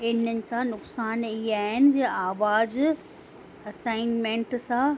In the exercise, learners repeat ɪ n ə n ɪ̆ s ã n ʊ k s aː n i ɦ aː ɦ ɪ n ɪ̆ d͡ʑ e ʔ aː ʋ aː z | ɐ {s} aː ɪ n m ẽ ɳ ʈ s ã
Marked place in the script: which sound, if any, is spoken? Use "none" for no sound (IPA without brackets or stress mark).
s